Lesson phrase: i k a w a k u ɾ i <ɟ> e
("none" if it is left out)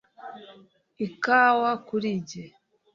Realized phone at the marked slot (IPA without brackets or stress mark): ɟ